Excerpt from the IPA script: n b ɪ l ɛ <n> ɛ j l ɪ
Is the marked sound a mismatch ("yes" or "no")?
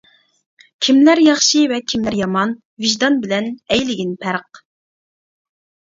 no